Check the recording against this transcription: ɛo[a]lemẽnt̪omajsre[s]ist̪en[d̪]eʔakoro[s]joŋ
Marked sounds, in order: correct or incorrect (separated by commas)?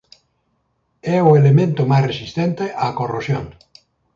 incorrect, correct, incorrect, correct